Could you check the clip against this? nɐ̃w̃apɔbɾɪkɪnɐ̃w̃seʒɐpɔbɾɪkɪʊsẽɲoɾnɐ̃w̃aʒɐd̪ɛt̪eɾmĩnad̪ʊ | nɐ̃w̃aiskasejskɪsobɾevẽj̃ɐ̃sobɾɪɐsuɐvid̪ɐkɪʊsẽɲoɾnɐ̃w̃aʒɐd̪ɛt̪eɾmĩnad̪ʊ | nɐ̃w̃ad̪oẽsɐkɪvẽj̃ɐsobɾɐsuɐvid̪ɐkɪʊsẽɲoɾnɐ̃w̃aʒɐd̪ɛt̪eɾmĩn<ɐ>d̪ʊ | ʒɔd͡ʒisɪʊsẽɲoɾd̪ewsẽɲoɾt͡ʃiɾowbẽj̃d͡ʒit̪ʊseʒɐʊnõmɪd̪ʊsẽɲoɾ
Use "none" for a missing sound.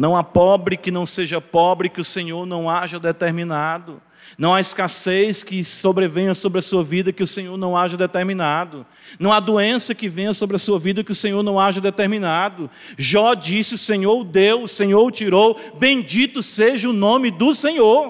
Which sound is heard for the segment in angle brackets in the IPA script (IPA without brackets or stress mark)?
a